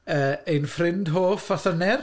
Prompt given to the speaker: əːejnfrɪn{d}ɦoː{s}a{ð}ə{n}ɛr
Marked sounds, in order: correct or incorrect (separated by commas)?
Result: correct, incorrect, incorrect, correct